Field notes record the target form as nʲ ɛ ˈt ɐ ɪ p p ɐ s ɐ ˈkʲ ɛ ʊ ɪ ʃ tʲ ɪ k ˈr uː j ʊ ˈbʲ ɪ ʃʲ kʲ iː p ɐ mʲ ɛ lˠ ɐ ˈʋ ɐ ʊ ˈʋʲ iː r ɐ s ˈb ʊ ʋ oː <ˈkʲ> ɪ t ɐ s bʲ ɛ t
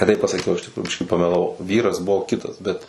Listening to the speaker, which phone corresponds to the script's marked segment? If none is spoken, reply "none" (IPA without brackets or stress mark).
kʲ